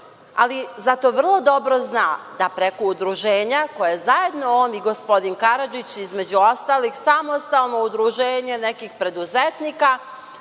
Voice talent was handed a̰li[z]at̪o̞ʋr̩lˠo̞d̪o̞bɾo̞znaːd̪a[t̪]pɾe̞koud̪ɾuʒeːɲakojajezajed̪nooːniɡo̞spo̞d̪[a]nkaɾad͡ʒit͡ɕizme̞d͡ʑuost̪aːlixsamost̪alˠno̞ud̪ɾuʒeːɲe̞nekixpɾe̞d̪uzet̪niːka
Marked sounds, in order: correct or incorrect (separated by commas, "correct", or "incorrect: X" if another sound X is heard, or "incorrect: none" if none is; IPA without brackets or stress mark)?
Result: correct, incorrect: none, incorrect: i